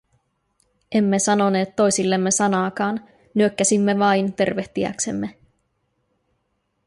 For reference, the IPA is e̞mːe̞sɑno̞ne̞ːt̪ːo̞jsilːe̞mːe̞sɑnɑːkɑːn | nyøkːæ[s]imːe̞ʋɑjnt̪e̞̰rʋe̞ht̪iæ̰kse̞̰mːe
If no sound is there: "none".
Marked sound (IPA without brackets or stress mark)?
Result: s